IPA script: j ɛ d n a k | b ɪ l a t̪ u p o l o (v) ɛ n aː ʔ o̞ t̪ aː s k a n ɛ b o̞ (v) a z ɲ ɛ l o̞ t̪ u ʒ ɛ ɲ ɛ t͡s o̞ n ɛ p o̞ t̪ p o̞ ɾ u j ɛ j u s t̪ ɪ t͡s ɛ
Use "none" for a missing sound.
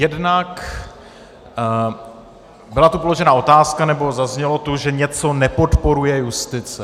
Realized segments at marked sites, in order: ʒ, z

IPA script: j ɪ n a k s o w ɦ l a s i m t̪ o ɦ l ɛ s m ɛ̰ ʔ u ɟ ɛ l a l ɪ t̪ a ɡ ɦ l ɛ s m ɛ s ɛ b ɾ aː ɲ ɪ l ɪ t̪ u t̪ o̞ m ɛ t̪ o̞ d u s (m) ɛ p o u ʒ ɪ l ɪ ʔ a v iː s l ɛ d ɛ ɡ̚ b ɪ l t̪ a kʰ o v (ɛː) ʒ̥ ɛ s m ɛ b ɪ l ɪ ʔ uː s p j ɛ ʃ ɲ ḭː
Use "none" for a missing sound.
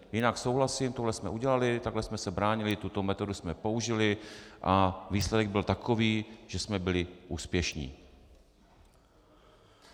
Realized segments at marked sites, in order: m, iː

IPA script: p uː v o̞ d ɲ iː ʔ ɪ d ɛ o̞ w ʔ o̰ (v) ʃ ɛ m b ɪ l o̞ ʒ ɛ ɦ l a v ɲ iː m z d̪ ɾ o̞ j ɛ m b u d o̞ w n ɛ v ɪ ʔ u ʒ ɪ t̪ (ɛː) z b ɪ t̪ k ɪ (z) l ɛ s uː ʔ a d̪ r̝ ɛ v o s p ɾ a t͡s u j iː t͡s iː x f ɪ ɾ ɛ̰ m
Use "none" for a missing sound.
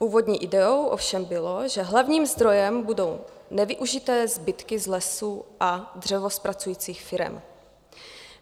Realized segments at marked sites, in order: f, ɛː, z

